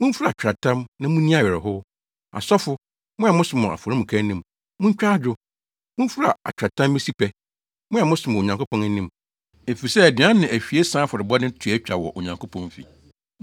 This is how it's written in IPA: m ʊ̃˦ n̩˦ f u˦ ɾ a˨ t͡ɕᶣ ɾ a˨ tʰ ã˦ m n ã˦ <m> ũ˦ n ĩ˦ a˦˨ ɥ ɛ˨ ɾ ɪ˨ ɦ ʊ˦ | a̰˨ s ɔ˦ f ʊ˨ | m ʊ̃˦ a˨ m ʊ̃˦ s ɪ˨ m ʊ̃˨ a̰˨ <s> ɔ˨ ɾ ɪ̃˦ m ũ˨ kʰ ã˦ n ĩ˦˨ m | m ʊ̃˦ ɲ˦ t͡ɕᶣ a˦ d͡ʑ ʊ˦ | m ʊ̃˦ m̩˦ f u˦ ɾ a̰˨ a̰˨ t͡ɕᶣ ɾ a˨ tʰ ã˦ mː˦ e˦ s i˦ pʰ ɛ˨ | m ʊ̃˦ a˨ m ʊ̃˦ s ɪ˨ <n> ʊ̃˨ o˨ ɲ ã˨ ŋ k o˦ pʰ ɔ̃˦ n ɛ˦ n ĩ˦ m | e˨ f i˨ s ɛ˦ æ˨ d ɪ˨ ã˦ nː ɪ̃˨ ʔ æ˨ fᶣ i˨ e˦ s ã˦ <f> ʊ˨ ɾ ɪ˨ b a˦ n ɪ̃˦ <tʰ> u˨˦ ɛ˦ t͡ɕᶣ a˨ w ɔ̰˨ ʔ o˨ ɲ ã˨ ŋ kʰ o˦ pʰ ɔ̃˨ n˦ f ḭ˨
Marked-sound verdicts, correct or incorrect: correct, incorrect: f, incorrect: m, correct, correct

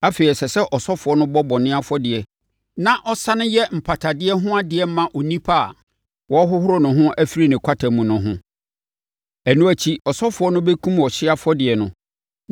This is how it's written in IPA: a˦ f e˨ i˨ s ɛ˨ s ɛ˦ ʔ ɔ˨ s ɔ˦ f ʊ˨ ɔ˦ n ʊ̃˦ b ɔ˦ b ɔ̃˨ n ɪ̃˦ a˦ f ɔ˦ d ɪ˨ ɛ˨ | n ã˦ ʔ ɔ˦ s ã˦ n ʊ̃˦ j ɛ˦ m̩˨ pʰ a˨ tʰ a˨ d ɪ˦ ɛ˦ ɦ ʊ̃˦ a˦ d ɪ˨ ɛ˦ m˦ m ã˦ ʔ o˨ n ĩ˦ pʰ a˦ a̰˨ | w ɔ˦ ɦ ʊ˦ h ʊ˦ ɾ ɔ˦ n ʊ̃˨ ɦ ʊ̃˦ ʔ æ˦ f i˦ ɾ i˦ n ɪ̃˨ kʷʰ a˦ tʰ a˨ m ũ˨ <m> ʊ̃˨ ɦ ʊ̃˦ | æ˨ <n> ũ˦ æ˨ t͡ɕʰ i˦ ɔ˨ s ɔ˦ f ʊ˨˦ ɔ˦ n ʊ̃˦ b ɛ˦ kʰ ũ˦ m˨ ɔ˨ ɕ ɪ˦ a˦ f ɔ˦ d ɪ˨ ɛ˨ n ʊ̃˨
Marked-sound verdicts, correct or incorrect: incorrect: n, correct

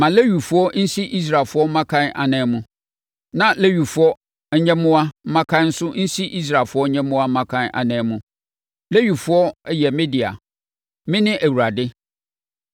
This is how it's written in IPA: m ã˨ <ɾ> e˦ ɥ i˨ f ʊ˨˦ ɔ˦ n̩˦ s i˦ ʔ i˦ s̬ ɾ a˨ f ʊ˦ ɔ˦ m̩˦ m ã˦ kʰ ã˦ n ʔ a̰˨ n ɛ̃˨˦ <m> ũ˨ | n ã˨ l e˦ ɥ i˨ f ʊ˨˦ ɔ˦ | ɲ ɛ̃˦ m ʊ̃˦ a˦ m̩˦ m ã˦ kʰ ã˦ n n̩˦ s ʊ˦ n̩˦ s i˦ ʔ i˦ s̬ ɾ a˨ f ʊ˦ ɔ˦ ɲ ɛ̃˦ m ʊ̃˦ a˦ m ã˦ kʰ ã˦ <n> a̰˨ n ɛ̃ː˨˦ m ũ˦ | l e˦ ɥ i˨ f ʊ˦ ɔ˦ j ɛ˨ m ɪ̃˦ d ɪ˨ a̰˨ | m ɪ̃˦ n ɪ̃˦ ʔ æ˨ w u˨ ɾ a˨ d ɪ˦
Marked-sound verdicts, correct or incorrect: incorrect: l, correct, correct

